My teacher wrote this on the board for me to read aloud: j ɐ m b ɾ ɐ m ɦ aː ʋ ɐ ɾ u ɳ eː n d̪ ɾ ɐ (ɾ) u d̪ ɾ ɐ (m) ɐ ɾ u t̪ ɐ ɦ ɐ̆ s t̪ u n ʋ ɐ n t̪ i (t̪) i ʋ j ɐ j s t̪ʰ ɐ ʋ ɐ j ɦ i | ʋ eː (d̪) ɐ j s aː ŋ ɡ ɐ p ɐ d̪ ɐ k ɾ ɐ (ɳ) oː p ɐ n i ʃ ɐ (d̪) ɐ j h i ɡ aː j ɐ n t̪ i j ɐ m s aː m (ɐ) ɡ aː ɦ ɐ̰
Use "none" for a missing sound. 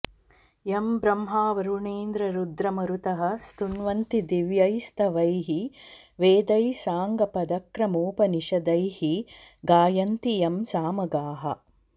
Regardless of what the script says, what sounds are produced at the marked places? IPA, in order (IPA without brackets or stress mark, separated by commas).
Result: ɾ, m, d̪, d̪, m, d̪, ɐ